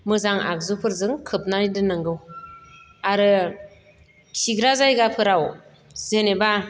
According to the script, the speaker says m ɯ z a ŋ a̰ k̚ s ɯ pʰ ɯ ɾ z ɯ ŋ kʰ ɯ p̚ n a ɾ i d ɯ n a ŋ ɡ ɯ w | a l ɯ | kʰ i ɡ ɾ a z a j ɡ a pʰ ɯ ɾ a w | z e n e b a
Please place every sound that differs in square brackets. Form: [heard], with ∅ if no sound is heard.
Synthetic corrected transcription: m ɯ z a ŋ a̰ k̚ [z] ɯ pʰ ɯ ɾ z ɯ ŋ kʰ ɯ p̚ n a ɾ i d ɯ n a ŋ ɡ ɯ w | a [ɾ] ɯ | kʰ i ɡ ɾ a z a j ɡ a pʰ ɯ ɾ a w | z e n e b a